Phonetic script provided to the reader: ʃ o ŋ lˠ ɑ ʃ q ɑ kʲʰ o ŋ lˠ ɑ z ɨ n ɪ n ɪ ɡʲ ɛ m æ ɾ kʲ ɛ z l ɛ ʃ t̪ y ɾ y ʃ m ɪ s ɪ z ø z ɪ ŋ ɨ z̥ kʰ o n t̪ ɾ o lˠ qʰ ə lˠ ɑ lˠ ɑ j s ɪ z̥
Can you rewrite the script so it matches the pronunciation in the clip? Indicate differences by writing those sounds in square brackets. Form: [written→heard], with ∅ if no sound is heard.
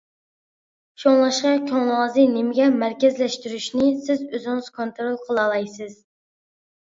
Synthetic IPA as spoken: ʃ o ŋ lˠ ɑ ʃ q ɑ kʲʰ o ŋ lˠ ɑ z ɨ n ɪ [n→m] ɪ ɡʲ ɛ m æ ɾ kʲ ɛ z l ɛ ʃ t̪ y ɾ y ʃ [m→n] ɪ s ɪ z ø z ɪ ŋ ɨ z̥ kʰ o n t̪ ɾ o lˠ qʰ ə lˠ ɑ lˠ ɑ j s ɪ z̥